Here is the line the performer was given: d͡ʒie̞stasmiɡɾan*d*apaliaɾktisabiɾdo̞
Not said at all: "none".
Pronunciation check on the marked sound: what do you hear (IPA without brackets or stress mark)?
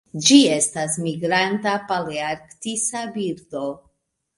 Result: t